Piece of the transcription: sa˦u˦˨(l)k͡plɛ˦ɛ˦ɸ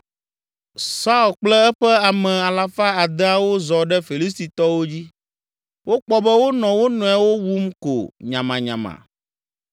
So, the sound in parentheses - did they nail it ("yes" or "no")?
yes